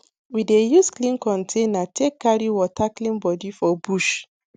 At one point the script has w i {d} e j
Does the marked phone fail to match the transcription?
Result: no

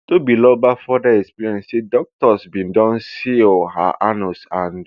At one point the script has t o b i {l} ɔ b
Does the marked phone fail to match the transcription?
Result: no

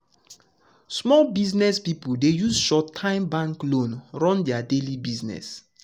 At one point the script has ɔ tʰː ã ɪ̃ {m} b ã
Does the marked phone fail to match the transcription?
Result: no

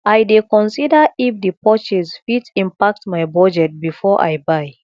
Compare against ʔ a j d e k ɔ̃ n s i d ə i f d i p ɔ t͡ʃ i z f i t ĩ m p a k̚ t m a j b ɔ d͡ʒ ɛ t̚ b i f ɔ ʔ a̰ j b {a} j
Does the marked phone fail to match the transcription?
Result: no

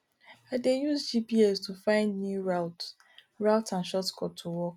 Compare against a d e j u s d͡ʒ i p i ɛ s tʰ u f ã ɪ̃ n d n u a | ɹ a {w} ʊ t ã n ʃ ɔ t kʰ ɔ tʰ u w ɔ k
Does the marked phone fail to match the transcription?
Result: yes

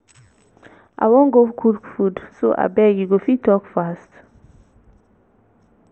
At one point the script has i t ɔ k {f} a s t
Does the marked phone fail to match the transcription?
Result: no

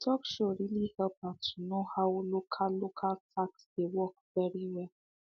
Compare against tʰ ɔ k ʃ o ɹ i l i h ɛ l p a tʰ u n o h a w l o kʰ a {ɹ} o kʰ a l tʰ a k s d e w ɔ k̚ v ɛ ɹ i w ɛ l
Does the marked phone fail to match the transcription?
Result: yes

